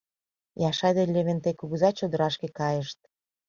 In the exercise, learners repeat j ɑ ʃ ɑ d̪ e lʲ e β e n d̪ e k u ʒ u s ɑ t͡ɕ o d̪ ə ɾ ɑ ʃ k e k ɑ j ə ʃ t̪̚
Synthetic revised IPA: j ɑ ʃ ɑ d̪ e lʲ e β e n t̪ e k u ɣ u z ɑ t͡ɕ o d̪ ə ɾ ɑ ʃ k e k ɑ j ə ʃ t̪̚